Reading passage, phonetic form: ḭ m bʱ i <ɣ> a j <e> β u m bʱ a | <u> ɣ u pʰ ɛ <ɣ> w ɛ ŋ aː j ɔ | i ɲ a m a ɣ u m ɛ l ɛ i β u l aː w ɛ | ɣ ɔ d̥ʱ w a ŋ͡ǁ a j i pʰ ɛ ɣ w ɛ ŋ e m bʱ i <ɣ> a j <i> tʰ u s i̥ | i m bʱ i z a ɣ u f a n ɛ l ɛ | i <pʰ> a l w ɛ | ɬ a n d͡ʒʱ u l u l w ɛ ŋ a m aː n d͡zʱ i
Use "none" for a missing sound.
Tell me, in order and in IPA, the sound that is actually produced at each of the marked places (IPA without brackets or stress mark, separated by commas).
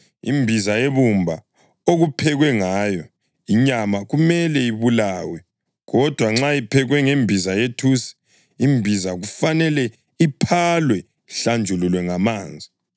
z, e, o, ɣ, z, e, pʰ